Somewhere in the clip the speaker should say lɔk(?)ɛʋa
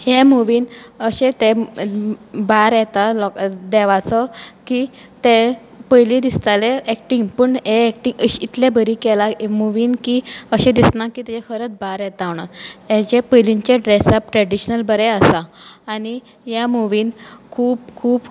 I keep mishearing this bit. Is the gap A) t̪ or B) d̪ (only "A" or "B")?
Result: B